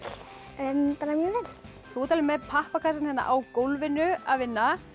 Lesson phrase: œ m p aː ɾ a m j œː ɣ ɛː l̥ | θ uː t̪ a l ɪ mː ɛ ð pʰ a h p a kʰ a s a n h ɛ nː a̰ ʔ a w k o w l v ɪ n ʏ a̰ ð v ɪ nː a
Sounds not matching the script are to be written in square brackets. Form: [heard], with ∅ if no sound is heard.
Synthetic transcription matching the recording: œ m p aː ɾ a m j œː [v] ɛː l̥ | θ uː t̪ a l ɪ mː ɛ ð pʰ a h p a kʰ a s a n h ɛ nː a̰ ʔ a w k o w l v ɪ n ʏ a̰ ð v ɪ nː a